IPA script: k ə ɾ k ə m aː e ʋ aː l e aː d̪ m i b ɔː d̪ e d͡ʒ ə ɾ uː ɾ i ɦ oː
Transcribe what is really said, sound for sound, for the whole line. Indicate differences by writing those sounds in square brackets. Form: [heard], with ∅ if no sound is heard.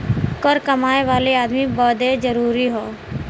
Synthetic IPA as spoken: k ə ɾ k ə m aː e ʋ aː l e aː d̪ m i b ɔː d̪ e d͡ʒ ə ɾ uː ɾ i ɦ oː